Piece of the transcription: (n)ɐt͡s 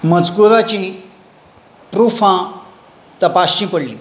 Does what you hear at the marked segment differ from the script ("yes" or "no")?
yes